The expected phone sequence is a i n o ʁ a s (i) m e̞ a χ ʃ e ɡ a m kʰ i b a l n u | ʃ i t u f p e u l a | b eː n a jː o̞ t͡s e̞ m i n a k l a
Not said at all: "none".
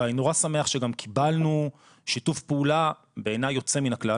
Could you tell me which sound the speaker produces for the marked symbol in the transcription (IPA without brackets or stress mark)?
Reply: a